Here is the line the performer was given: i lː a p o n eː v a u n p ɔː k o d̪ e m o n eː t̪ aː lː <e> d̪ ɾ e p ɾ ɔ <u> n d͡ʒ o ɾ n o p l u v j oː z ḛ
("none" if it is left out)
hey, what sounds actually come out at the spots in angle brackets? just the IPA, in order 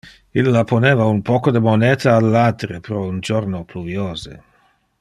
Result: a, u

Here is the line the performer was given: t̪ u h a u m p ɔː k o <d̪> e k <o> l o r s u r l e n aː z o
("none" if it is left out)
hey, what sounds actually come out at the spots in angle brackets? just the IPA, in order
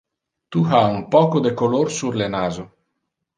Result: d̪, o

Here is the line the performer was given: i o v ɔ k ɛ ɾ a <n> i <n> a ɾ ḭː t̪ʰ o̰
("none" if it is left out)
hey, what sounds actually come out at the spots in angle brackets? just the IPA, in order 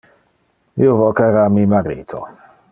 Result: m, m

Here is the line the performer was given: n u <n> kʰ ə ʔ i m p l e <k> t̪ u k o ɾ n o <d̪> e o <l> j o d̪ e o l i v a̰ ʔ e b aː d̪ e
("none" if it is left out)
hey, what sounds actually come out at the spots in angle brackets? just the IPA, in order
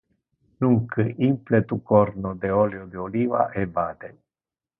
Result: ŋ, none, d̪, l

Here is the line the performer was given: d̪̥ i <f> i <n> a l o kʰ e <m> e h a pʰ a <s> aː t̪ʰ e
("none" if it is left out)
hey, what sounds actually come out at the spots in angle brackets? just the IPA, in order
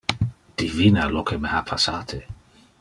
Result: v, n, m, s

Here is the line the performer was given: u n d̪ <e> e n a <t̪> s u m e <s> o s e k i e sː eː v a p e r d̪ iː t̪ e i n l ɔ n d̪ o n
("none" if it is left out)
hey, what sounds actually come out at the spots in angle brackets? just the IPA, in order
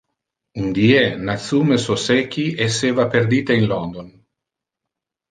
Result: i, t̪, s

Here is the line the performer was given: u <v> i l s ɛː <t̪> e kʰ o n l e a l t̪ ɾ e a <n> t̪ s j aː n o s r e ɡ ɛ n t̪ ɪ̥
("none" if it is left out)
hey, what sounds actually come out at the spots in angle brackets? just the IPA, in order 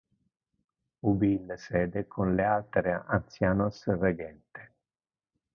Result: b, d̪, n

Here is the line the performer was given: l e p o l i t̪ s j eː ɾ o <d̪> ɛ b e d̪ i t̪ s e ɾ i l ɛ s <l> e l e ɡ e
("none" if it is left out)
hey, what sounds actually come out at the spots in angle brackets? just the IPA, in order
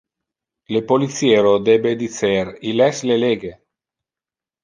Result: d̪, l

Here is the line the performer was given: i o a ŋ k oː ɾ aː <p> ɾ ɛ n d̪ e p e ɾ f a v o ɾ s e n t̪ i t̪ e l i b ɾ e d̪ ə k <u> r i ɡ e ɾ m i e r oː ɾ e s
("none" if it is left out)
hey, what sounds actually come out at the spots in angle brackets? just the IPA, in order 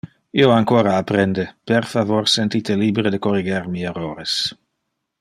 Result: p, o

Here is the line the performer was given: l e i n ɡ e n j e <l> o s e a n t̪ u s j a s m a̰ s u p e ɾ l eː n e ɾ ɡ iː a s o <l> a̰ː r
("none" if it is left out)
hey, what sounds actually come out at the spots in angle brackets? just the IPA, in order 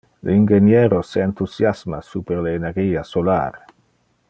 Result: ɾ, l

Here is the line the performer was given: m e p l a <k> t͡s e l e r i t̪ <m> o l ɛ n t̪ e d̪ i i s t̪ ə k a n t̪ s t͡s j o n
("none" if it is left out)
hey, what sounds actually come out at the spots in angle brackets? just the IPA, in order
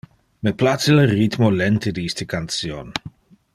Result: none, m

